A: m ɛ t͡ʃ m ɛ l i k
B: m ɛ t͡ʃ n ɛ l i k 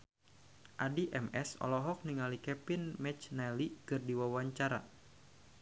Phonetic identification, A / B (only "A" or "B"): B